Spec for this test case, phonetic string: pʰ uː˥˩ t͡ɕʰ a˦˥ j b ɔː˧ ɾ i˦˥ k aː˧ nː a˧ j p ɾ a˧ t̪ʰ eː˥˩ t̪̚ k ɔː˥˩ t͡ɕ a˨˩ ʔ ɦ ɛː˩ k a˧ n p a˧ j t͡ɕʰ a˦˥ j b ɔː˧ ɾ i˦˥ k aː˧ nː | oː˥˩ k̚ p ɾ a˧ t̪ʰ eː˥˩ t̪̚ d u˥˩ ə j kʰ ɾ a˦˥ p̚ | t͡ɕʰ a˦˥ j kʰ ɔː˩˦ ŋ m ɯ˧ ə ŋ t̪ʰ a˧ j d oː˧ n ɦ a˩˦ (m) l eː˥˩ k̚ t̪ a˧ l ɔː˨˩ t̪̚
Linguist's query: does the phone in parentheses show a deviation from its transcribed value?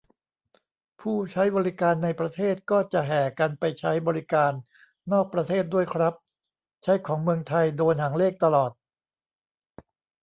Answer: yes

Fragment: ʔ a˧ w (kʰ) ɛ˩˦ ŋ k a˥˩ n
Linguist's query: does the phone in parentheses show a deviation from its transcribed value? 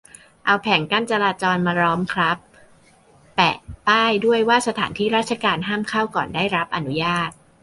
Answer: yes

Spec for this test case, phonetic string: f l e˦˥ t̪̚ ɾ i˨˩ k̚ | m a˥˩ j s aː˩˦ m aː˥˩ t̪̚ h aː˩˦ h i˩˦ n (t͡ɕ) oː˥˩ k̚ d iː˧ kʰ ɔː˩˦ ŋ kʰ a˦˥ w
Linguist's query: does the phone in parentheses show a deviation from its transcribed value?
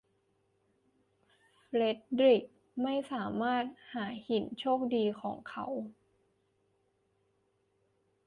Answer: yes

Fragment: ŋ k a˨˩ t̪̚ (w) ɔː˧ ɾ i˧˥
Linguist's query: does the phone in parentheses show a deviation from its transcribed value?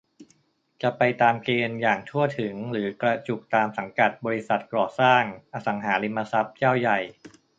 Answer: yes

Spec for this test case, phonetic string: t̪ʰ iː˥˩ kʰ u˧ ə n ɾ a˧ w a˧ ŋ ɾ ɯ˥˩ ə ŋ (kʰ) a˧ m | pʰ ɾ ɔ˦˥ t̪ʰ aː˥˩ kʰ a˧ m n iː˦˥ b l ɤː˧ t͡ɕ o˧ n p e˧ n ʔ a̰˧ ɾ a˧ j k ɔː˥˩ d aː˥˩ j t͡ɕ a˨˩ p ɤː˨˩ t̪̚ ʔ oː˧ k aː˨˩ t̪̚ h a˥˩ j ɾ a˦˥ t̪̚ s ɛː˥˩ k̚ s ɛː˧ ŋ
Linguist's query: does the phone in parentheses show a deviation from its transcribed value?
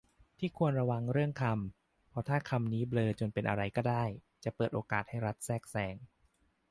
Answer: no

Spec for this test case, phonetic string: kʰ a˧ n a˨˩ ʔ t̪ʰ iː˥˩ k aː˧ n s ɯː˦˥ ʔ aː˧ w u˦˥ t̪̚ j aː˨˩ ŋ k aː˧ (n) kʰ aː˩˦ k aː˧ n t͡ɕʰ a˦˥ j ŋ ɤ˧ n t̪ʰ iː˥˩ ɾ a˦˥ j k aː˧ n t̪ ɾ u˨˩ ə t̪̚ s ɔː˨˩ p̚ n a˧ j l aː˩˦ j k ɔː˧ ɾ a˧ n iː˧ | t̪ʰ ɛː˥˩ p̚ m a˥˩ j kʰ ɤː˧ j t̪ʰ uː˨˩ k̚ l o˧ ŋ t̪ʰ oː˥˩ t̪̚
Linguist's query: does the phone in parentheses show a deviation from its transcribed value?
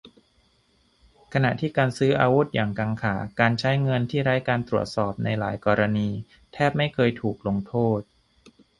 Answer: yes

